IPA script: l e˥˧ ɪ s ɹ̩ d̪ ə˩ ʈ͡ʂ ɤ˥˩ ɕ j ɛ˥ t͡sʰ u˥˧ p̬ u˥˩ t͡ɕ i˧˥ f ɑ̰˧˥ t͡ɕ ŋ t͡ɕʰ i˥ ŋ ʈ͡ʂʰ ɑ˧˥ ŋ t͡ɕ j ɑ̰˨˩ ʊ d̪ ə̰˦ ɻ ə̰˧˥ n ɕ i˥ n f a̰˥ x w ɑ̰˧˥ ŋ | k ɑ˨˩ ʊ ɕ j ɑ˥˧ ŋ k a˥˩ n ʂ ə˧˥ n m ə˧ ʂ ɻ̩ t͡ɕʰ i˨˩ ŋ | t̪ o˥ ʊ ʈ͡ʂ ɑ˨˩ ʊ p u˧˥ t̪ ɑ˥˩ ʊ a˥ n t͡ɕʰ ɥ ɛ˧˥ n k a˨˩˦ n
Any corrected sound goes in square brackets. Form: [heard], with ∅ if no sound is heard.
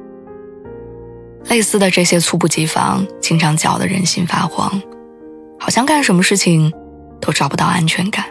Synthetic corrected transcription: l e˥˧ ɪ s ɹ̩ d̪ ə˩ ʈ͡ʂ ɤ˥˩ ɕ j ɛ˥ t͡sʰ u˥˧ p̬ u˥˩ t͡ɕ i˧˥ f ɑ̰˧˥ [∅] ŋ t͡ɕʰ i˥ ŋ ʈ͡ʂʰ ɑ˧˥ ŋ t͡ɕ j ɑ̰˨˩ ʊ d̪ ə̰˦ ɻ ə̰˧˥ n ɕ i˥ n f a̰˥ x w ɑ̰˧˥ ŋ | [x] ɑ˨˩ ʊ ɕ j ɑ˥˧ ŋ k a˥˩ n ʂ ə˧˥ n m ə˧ ʂ ɻ̩ t͡ɕʰ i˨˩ ŋ | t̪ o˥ ʊ ʈ͡ʂ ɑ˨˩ ʊ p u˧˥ t̪ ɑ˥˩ ʊ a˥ n t͡ɕʰ ɥ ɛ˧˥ n k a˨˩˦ n